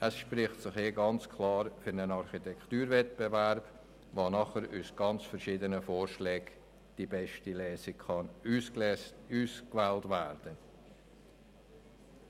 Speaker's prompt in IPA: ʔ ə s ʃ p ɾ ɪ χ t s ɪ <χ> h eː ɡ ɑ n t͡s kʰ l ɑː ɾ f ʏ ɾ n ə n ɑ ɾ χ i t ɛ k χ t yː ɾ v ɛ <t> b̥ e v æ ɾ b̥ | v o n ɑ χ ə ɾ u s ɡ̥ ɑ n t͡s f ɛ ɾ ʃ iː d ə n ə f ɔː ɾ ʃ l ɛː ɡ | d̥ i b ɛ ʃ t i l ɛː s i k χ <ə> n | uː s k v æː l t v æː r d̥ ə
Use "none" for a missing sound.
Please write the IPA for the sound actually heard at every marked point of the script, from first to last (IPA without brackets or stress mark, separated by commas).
χ, t, ɑ